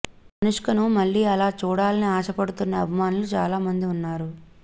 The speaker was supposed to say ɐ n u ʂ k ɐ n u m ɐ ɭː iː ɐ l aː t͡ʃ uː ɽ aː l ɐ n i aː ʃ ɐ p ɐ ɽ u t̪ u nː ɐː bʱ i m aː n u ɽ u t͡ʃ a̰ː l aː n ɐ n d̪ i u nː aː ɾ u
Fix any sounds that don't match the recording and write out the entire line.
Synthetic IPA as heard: ɐ n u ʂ k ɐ n u m ɐ ɭː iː ɐ l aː t͡ʃ uː ɽ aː l ɐ n i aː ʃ ɐ p ɐ ɽ u t̪ u nː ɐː bʱ i m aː n u l u t͡ʃ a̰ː l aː m ɐ n d̪ i u nː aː ɾ u